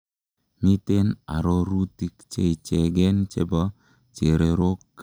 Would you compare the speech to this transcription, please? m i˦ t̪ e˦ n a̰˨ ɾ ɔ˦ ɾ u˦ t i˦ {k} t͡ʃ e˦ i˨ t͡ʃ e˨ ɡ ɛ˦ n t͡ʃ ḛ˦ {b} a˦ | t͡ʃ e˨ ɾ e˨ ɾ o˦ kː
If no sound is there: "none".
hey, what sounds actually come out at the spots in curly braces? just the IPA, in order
k, b

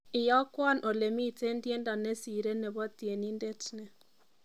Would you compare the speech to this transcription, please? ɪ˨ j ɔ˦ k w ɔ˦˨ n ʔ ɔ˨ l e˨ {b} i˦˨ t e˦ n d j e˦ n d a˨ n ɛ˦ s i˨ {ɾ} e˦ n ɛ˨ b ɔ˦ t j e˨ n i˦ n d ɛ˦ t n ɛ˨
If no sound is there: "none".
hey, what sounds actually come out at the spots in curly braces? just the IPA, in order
m, ɾ

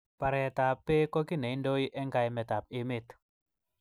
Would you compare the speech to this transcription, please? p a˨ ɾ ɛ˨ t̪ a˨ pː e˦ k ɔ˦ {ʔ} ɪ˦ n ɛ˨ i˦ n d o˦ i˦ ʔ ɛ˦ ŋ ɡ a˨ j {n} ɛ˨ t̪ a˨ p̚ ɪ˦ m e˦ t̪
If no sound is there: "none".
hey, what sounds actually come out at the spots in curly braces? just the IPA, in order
k, m

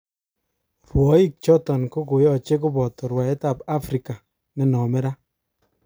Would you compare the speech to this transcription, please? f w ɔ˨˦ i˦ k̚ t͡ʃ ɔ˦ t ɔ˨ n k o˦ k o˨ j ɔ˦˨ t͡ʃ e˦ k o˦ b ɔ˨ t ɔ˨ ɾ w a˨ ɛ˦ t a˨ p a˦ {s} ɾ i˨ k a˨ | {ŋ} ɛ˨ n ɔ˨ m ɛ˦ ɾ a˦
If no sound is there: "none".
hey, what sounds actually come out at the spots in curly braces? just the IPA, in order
f, n

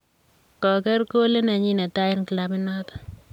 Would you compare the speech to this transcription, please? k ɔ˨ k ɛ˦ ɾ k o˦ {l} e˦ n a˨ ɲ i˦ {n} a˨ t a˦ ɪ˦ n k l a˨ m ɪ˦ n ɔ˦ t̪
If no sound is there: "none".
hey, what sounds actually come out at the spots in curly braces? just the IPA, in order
l, n

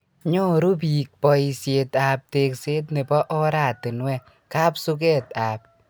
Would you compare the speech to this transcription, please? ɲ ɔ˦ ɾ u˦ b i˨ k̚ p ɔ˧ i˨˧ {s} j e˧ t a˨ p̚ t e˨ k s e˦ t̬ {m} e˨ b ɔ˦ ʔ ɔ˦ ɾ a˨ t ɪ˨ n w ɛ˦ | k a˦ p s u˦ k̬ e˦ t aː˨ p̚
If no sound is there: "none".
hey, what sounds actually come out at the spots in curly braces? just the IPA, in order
s, n

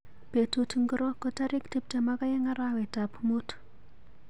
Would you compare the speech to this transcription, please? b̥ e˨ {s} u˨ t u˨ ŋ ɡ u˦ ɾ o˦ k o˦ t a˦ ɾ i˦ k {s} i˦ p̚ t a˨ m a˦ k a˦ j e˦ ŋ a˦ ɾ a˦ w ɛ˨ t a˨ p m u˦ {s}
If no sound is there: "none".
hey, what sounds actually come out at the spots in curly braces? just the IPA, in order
t, t, t

